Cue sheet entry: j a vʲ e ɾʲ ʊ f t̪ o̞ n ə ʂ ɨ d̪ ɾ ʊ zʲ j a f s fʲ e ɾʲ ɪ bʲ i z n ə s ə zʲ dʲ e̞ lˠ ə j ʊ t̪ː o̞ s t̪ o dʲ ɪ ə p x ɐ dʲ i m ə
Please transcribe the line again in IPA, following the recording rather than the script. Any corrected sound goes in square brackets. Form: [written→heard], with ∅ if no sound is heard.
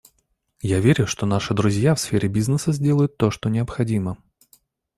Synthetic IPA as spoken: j a vʲ e ɾʲ ʊ [f→ʂ] t̪ o̞ n [ə→a] ʂ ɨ d̪ ɾ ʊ zʲ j a f s fʲ e ɾʲ ɪ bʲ i z n ə s ə zʲ dʲ e̞ lˠ ə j ʊ t̪ː o̞ [s→ʂ] t̪ o [dʲ→nʲ] ɪ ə p x ɐ dʲ i m ə